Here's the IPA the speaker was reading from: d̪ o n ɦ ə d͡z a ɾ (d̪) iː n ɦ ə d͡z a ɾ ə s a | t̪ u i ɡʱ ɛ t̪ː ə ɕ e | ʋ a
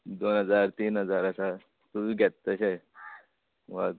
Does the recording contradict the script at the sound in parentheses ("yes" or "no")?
yes